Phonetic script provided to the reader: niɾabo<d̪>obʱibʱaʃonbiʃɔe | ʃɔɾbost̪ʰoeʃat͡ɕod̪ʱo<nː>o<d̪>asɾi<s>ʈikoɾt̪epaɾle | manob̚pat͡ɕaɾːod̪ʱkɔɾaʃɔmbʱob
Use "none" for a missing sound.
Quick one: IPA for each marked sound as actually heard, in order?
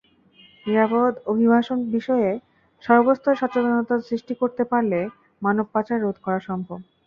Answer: d̪, n, t̪, ʃ

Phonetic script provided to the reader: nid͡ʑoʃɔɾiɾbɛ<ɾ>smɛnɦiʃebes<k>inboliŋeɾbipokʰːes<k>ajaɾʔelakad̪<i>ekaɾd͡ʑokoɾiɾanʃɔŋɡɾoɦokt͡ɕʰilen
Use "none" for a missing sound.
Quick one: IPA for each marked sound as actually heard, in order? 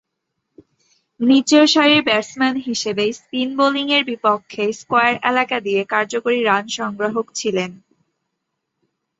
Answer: ɾ, p, k, i

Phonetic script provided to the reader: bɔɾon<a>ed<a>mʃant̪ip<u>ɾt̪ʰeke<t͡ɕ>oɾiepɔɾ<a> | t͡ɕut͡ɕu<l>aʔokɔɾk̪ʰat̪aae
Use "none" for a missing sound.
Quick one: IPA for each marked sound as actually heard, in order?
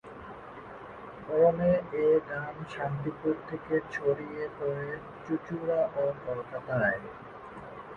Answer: e, a, u, t͡ɕʰ, e, ɾ

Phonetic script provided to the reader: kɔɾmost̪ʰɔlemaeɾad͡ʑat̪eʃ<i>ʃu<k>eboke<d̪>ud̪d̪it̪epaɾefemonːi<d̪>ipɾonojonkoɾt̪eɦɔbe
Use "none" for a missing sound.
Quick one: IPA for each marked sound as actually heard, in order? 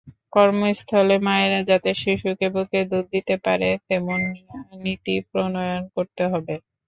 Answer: i, k, d̪, t̪

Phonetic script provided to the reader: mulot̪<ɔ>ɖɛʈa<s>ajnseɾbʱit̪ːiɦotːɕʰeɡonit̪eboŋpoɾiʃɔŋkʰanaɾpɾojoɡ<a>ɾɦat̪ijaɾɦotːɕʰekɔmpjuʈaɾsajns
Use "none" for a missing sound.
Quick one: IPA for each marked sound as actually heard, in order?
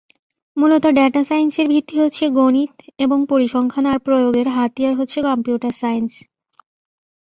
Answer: o, s, e

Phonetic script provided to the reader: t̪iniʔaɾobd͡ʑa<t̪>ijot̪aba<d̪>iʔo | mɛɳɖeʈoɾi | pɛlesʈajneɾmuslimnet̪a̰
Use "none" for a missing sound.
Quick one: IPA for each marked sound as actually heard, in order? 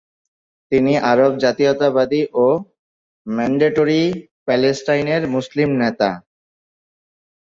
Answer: t̪, d̪

